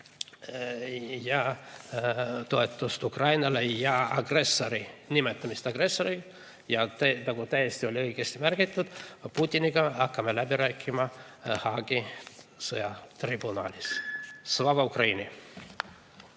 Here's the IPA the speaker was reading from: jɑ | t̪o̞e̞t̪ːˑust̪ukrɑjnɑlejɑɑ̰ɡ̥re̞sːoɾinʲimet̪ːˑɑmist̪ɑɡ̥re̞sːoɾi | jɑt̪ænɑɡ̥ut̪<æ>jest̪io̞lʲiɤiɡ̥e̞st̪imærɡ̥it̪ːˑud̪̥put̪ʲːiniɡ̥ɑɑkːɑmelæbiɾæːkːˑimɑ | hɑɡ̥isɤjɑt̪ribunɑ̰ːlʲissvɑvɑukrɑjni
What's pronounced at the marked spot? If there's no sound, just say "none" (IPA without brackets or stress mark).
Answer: æ